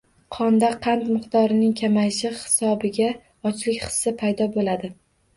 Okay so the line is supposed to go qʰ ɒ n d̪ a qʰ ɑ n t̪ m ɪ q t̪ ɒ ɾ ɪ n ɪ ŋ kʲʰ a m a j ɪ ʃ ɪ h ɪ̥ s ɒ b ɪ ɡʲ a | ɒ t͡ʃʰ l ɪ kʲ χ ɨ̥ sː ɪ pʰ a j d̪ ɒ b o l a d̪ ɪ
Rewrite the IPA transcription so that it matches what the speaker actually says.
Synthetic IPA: qʰ ɒ n d̪ a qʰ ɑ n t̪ m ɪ q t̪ ɒ ɾ ɪ n ɪ ŋ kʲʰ a m a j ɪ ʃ ɪ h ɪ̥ s ɒ b ɪ ɡʲ a | ɒ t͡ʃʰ l ɪ kʲ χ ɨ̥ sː ɪ pʰ a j d̪ ɒ b o l a d̪ ɪ